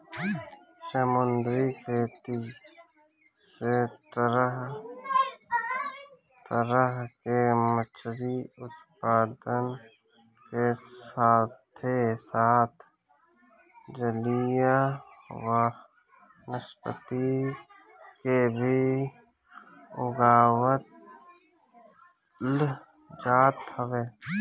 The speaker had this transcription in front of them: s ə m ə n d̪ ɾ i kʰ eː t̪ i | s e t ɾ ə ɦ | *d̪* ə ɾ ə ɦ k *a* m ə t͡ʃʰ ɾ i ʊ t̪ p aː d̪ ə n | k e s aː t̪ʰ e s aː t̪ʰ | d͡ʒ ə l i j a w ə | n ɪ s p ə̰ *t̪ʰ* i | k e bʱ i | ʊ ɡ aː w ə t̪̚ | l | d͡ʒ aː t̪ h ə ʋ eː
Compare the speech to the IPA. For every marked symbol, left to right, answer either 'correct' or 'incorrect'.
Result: incorrect, incorrect, incorrect

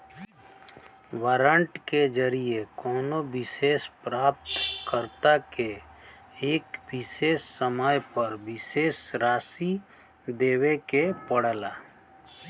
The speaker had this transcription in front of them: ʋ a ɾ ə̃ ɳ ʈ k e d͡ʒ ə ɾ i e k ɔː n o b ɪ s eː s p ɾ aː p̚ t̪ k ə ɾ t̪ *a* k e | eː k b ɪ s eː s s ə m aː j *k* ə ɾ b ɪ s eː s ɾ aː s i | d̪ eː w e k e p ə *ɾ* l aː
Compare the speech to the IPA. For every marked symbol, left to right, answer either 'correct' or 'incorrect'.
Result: correct, incorrect, incorrect

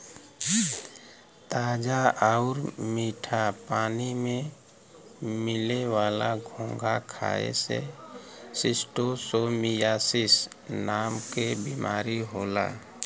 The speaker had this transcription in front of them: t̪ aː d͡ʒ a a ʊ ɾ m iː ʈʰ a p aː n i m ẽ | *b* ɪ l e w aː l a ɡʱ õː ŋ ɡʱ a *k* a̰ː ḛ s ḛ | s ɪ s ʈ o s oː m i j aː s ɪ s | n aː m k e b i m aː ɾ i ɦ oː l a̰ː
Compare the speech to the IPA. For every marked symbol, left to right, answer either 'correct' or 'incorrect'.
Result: incorrect, incorrect

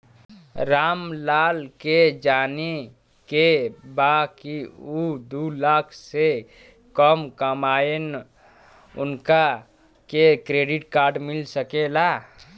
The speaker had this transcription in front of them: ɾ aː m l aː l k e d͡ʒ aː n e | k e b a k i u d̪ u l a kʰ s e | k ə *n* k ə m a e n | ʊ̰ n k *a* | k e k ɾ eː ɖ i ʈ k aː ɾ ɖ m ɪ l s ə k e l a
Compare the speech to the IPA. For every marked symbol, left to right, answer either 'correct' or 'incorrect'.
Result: incorrect, correct

